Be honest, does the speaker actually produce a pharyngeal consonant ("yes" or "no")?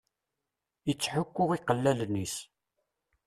yes